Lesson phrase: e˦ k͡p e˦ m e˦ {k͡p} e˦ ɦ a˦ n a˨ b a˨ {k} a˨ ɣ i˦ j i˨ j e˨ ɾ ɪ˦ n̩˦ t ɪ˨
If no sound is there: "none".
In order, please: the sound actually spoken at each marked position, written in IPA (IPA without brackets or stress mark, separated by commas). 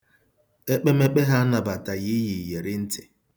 k͡p, t